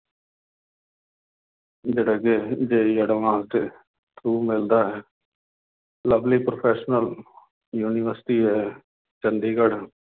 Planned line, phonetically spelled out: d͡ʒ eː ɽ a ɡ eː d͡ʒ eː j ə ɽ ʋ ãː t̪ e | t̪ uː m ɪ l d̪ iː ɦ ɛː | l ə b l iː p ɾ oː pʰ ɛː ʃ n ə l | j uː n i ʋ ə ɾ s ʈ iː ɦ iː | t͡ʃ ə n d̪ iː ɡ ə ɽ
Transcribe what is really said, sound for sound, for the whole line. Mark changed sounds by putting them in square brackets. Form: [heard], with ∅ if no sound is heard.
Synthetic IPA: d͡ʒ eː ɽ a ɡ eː d͡ʒ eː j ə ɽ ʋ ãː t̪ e | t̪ uː m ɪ l d̪ [aː] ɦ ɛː | l ə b l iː p ɾ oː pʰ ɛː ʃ n ə l | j uː n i ʋ ə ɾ s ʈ iː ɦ [ɛː] | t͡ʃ ə n d̪ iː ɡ ə ɽ